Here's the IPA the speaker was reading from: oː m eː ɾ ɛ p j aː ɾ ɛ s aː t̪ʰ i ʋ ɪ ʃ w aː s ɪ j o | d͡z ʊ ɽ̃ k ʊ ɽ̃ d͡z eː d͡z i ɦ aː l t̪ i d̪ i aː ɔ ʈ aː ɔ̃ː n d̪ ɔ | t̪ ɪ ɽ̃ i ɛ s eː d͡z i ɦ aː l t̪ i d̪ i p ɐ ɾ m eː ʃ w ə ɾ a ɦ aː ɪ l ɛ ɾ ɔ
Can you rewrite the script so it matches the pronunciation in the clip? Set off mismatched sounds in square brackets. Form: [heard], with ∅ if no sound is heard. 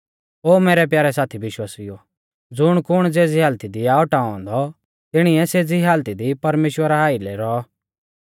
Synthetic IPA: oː m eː ɾ ɛ p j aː ɾ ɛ s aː t̪ʰ i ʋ ɪ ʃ w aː s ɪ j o | d͡z ʊ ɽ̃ k ʊ ɽ̃ d͡z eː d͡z i ɦ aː l t̪ i d̪ i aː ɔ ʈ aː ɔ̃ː n d̪ ɔ | t̪ ɪ ɽ̃ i ɛ s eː d͡z i ɦ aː l t̪ i d̪ i p ɐ ɾ m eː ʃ w ə ɾ a ɦ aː [i] l ɛ ɾ ɔ